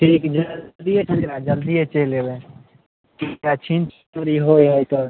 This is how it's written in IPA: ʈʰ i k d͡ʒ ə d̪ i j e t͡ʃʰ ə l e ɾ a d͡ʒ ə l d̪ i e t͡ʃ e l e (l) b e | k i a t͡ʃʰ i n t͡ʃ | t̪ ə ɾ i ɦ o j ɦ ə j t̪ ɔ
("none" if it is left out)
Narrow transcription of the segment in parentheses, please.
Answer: none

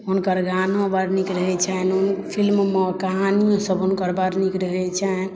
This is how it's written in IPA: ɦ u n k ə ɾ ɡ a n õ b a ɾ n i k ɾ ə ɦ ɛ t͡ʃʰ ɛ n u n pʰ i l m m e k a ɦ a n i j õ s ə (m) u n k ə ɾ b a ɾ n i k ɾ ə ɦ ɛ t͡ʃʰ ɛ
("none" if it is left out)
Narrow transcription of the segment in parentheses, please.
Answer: b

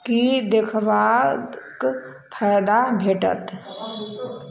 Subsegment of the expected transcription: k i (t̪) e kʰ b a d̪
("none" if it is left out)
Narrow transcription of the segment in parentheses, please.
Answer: d̪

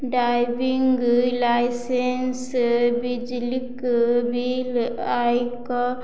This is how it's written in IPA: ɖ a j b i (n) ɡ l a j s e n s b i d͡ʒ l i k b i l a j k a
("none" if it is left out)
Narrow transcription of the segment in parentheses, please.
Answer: ŋ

